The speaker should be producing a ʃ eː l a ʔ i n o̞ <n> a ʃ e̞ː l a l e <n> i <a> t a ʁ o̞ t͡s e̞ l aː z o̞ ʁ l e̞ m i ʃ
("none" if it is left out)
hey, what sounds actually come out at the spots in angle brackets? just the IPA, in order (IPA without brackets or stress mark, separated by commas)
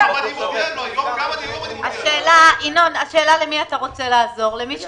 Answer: n, m, a